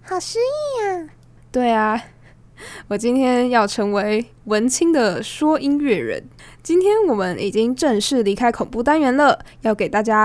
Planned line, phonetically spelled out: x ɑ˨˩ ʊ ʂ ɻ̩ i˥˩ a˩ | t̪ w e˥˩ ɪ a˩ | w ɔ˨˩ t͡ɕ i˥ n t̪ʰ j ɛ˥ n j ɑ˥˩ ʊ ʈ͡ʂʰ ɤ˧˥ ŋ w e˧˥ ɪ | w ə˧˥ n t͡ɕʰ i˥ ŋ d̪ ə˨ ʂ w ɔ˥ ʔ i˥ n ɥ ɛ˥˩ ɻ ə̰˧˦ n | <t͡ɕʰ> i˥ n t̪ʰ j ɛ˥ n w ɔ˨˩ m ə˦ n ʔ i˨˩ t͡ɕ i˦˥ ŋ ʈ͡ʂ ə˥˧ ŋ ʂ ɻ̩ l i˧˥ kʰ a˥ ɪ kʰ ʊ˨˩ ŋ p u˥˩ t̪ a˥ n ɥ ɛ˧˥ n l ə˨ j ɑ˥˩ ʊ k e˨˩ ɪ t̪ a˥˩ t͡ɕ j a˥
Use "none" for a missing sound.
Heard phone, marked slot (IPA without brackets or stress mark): t͡ɕ